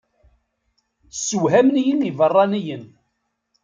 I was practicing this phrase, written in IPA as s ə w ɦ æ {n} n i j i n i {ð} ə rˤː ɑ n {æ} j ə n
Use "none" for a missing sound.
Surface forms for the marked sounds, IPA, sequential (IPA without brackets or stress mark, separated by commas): m, v, i